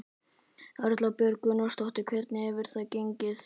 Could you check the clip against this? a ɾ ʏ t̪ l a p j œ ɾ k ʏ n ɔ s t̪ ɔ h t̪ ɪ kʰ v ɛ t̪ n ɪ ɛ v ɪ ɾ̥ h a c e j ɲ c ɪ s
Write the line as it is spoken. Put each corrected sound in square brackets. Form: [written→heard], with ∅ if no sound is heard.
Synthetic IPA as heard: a ɾ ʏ t̪ l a p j œ ɾ k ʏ n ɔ s t̪ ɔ h t̪ ɪ kʰ v ɛ t̪ n ɪ ɛ v ɪ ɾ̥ [h→θ] a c e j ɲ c ɪ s